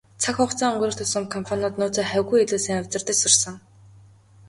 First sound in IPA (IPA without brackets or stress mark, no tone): t͡sʰ